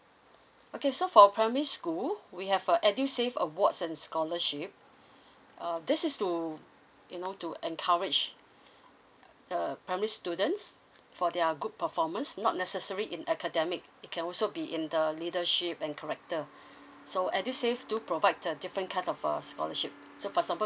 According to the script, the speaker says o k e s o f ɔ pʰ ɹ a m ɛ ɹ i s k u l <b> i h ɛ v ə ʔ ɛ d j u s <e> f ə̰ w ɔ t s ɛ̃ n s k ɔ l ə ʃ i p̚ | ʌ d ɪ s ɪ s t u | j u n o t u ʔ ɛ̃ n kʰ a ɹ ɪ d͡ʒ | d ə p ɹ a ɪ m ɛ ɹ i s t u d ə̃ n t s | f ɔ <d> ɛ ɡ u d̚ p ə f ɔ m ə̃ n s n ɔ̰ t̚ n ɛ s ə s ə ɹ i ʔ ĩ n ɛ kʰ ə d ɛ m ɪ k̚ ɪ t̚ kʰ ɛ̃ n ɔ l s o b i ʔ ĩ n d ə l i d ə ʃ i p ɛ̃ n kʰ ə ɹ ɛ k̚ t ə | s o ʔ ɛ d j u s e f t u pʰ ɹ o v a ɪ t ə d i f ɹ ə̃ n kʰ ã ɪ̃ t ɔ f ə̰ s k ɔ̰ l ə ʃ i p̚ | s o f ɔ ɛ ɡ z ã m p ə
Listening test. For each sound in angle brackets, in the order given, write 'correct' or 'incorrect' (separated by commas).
incorrect, correct, correct